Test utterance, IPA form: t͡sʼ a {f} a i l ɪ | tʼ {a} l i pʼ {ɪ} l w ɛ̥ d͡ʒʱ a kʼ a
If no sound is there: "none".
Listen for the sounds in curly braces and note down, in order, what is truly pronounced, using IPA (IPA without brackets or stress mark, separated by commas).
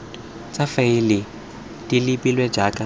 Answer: f, i, i